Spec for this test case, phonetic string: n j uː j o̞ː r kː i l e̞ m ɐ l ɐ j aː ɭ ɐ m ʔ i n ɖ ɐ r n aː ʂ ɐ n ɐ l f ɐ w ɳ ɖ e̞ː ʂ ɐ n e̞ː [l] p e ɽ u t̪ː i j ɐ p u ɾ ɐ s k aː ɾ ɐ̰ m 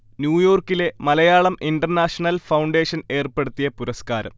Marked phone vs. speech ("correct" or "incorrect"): incorrect